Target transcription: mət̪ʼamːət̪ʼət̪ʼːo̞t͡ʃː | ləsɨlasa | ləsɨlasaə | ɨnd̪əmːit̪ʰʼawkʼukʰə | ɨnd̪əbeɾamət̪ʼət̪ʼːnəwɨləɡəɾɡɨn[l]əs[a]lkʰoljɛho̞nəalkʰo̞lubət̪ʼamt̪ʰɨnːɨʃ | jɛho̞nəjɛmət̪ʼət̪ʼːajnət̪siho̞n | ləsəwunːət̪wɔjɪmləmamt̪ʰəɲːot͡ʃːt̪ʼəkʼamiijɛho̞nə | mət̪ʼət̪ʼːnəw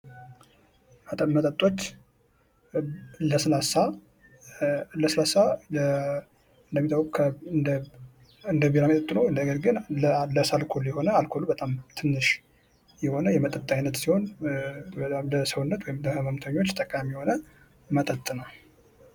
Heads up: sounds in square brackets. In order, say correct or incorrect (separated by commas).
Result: correct, correct